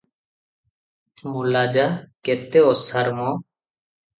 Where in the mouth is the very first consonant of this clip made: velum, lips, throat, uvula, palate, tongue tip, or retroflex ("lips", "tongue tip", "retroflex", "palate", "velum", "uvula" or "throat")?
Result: lips